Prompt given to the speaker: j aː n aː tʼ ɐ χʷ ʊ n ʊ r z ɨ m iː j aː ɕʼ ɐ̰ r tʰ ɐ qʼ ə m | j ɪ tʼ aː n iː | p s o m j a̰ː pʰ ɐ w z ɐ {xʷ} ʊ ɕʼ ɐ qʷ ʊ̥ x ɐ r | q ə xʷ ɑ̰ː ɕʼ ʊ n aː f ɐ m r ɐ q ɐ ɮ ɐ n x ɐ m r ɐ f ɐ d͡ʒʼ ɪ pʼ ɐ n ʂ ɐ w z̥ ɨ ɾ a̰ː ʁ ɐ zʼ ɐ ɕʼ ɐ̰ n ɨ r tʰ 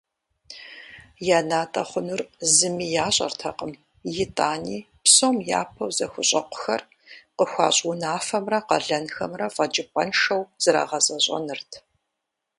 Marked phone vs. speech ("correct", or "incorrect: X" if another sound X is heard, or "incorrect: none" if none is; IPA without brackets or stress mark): correct